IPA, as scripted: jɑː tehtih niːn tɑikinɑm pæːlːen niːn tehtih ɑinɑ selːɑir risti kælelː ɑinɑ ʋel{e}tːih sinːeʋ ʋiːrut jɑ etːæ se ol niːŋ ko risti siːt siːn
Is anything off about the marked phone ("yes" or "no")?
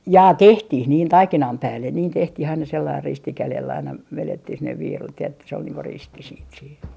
no